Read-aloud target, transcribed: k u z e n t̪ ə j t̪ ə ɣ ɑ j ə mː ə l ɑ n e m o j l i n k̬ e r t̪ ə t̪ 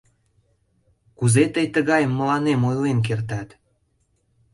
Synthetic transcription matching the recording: k u z e t̪ ə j t̪ ə ɣ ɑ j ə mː ə l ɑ n e m o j l e n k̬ e r t̪ ɑ t̪

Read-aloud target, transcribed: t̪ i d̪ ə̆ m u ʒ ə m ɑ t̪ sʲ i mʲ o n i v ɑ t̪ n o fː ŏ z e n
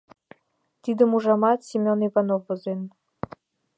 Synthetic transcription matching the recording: t̪ i d̪ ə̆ m u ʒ ɑ m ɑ t̪ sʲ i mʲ o n i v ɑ n o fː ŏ z e n

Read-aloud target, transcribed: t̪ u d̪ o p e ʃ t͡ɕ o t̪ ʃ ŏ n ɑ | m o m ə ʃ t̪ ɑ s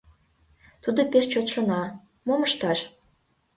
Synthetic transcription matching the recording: t̪ u d̪ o p e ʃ t͡ɕ o t̪ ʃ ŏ n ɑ | m o m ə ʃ t̪ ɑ ʃ

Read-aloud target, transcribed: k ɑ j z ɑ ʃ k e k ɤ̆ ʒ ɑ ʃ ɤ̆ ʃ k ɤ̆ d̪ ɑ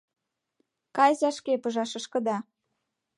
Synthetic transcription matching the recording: k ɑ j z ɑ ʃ k e p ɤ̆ ʒ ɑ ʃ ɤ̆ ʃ k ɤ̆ d̪ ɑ

